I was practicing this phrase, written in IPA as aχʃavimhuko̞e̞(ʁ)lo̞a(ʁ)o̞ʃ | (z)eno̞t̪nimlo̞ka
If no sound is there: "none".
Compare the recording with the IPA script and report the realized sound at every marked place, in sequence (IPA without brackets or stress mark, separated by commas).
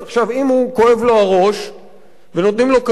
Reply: v, ʁ, v